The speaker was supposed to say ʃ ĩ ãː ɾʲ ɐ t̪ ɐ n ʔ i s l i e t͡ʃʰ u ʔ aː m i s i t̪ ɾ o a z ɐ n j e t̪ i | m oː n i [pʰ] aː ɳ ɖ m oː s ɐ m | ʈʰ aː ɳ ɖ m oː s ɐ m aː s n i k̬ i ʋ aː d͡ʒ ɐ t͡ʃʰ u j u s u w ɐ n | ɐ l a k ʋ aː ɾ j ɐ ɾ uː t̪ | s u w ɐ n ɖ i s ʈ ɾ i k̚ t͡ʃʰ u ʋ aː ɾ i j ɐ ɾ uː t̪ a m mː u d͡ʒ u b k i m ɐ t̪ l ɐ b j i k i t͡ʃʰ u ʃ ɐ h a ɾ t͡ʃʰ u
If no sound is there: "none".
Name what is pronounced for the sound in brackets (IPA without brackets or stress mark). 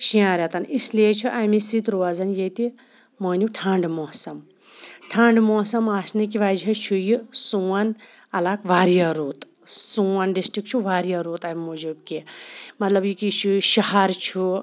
ʈʰ